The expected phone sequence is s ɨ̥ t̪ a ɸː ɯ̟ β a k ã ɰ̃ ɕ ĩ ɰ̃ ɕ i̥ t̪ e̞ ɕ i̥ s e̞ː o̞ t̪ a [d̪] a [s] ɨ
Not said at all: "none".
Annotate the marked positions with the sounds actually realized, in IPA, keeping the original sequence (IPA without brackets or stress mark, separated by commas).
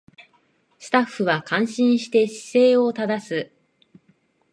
d̪, s